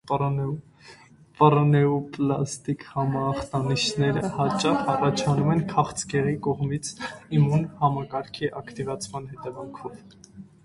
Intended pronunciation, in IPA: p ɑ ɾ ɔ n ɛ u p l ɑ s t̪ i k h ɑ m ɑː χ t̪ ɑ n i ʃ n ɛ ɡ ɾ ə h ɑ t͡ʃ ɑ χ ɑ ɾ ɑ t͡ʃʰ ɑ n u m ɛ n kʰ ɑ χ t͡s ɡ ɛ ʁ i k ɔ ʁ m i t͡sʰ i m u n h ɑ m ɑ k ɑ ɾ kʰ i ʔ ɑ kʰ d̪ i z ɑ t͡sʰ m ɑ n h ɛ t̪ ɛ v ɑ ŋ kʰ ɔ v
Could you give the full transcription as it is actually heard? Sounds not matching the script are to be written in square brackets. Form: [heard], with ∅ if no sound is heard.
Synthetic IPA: p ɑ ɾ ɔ n ɛ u p l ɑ s t̪ i k h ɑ m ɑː χ t̪ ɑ n i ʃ n ɛ [∅] ɾ ə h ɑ t͡ʃ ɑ χ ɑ [r] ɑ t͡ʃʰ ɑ n u m ɛ n kʰ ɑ χ t͡s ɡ ɛ ʁ i k ɔ ʁ m i t͡sʰ i m u n h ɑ m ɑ k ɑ ɾ kʰ i ʔ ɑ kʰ [t̪] i [v] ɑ t͡sʰ m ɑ n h ɛ t̪ ɛ v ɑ ŋ kʰ ɔ v

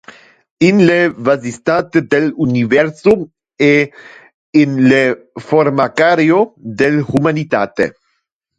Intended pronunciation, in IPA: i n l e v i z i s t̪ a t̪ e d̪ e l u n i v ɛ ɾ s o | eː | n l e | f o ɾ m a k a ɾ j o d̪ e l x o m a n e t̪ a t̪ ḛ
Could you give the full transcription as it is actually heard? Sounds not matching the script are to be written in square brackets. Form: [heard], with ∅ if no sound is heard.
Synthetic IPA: i n l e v [a] z i s t̪ a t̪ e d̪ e l u n i v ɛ ɾ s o | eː | n l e | f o ɾ m a k a ɾ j o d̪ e l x [u] m a n [i] t̪ a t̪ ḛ

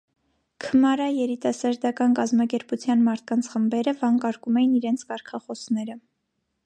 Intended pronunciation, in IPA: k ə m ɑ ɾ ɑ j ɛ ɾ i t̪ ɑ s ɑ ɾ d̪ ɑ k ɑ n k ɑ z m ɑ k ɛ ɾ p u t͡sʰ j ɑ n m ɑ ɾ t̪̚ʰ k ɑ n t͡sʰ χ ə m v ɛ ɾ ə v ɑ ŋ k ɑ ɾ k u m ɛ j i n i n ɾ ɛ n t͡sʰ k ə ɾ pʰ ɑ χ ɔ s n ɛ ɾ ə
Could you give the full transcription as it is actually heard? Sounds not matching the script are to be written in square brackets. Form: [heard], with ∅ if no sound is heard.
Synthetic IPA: [kʰ] ə m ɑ ɾ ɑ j ɛ ɾ i t̪ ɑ s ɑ ɾ d̪ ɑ k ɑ n k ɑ z m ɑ k ɛ ɾ p u t͡sʰ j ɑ n m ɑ ɾ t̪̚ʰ k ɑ n t͡sʰ χ ə m [b] ɛ ɾ ə v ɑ ŋ k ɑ ɾ k u m ɛ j i n i [∅] ɾ ɛ n t͡sʰ k [ɑ] ɾ [kʰ] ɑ χ ɔ s n ɛ ɾ ə

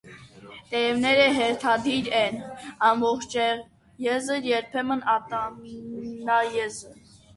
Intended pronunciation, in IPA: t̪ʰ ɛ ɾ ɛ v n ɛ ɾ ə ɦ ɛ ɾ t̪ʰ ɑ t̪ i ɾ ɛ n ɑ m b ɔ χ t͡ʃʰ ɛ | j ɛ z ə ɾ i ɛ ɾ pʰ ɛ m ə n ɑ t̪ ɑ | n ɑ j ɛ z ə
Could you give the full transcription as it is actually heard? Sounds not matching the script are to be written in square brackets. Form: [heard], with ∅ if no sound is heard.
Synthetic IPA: [t̪] ɛ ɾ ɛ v n ɛ ɾ ə ɦ ɛ ɾ t̪ʰ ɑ [d̪] i ɾ ɛ n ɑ m b ɔ χ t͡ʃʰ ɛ | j ɛ z ə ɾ [j] ɛ ɾ pʰ ɛ m ə n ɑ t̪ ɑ | n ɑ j ɛ z ə

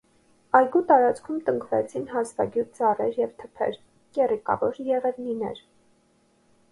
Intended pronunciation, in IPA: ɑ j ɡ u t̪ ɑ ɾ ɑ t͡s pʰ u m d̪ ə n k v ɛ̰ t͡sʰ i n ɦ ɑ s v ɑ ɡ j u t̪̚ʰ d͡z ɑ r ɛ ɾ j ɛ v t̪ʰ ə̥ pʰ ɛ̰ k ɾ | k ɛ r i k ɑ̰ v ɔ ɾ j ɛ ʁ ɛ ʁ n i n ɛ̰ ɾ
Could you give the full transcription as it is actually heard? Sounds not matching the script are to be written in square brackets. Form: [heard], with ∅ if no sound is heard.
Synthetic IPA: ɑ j ɡ u t̪ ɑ ɾ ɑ t͡s [kʰ] u m [t̪] ə [ŋ] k v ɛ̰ t͡sʰ i n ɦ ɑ s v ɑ ɡ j u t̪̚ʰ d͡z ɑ r ɛ ɾ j ɛ v t̪ʰ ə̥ pʰ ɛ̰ [∅] ɾ | k ɛ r i k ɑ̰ v ɔ ɾ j ɛ ʁ ɛ [v] n i n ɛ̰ ɾ

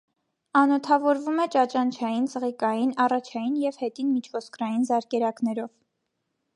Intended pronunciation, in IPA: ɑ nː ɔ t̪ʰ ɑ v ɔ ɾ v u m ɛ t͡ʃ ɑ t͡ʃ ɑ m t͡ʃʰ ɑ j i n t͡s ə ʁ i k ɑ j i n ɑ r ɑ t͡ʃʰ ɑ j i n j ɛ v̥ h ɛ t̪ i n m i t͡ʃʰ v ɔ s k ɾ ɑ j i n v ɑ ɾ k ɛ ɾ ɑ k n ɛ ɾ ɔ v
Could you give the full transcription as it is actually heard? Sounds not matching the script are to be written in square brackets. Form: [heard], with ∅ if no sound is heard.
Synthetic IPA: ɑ [n] ɔ t̪ʰ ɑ v ɔ ɾ v u m ɛ t͡ʃ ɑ t͡ʃ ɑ [n] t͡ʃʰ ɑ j i n t͡s ə ʁ i k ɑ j i n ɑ r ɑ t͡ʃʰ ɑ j i n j ɛ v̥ h ɛ t̪ i n m i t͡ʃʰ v ɔ s k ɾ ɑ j i n [z] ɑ ɾ k ɛ ɾ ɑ k n ɛ ɾ ɔ v

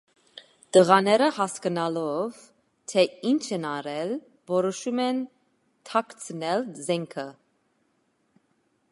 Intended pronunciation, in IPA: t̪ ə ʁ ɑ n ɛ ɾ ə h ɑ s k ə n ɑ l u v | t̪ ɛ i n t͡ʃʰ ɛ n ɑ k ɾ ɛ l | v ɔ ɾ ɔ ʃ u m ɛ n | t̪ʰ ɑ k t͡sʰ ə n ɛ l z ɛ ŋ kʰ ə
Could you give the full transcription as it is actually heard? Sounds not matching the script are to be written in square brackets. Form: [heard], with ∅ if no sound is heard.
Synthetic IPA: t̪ ə ʁ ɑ n ɛ ɾ ə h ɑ s k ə n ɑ l [ɔ] v | [t̪ʰ] ɛ i n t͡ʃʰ ɛ n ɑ [∅] ɾ ɛ l | v ɔ ɾ ɔ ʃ u m ɛ n | t̪ʰ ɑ k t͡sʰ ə n ɛ l z ɛ ŋ kʰ ə

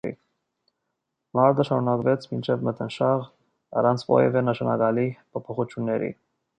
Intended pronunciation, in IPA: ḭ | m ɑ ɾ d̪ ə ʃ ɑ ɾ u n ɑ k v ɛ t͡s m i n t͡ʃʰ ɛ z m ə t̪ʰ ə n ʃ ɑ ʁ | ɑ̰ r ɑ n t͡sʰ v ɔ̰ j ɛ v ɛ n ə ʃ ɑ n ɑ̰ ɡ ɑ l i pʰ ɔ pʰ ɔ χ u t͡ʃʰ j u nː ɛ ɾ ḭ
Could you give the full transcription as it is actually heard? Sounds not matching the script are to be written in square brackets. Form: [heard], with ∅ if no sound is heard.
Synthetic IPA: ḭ | m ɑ ɾ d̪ ə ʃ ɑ ɾ u n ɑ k v ɛ [t͡sʰ] m i n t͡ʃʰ ɛ [v] m ə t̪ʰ ə n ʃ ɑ ʁ | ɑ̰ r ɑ n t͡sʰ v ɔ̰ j ɛ v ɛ n ə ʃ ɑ n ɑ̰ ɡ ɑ l i pʰ ɔ pʰ ɔ χ u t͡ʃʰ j u nː ɛ ɾ ḭ

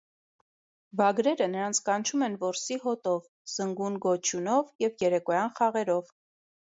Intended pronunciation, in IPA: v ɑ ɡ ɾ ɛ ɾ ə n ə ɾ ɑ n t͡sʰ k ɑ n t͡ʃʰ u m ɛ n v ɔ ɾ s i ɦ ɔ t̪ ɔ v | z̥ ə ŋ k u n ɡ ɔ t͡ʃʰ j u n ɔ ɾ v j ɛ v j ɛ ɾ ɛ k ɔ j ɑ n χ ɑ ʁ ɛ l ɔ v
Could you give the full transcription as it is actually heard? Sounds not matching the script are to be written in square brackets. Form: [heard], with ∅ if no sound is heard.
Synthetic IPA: v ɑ ɡ ɾ ɛ ɾ ə n ə ɾ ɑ n t͡sʰ k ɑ n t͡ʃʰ u m ɛ n v ɔ ɾ s i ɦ ɔ t̪ ɔ v | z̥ ə ŋ [ɡ] u n ɡ ɔ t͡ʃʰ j u n ɔ [∅] v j ɛ v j ɛ ɾ ɛ k ɔ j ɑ n χ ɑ ʁ ɛ [ɾ] ɔ v

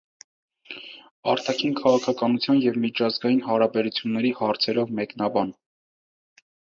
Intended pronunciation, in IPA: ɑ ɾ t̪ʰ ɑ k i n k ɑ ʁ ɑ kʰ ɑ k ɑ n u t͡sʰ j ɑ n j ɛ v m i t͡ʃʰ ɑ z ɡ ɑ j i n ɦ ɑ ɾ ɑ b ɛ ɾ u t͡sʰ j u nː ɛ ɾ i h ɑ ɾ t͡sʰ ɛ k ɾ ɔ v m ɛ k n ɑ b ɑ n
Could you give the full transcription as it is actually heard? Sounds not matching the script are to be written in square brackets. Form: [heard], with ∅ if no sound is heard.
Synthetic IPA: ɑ ɾ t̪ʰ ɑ [kʰ] i n [kʰ] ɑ ʁ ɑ kʰ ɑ k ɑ n u t͡sʰ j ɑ n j ɛ v m i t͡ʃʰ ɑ z ɡ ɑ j i n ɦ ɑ ɾ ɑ b ɛ ɾ u t͡sʰ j u nː ɛ ɾ i h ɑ ɾ t͡sʰ ɛ [∅] ɾ ɔ v m ɛ k n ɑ b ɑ n

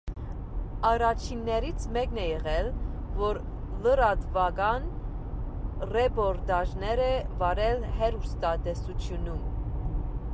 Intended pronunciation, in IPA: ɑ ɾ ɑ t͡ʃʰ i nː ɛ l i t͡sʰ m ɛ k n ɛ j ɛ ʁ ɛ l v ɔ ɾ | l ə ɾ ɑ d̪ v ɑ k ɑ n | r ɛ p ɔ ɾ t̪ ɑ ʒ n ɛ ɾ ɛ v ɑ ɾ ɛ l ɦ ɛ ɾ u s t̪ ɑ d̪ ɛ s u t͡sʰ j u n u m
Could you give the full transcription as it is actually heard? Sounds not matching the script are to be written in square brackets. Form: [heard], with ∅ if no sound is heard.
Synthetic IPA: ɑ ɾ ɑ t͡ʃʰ i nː ɛ [ɾ] i t͡sʰ m ɛ k n ɛ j ɛ ʁ ɛ l v ɔ ɾ | l ə ɾ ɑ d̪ v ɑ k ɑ n | r ɛ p ɔ ɾ t̪ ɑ ʒ n ɛ ɾ ɛ v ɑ ɾ ɛ l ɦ ɛ ɾ u s t̪ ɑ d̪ ɛ s u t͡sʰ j u n u m

